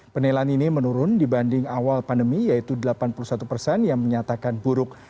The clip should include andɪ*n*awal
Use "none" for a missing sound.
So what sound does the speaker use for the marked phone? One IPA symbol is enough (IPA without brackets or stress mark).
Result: ŋ